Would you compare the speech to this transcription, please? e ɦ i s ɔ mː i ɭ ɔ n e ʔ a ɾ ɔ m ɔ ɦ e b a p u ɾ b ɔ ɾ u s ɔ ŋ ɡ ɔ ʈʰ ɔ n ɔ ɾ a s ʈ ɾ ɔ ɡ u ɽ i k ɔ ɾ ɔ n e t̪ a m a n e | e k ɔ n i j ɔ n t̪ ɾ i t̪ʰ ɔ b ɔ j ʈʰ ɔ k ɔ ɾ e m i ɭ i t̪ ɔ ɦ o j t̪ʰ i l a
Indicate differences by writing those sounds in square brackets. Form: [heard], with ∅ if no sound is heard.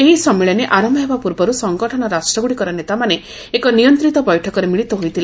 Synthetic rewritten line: e ɦ i s ɔ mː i ɭ ɔ n e ʔ a ɾ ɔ m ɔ ɦ e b a p u ɾ b ɔ ɾ u s ɔ ŋ ɡ ɔ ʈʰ ɔ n ɔ ɾ a s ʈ ɾ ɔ ɡ u ɽ i k ɔ ɾ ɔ n e t̪ a m a n e | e k ɔ n i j ɔ n t̪ ɾ i [t̪] ɔ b ɔ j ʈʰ ɔ k ɔ ɾ e m i ɭ i t̪ ɔ ɦ o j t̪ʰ i l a